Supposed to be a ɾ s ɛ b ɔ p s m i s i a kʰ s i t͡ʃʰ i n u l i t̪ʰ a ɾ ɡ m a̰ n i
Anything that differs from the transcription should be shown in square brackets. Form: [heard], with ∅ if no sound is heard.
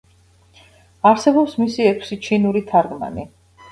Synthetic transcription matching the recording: a ɾ s ɛ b ɔ p s m i s i [ɛ] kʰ s i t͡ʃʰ i n u [ɾ] i t̪ʰ a ɾ ɡ m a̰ n i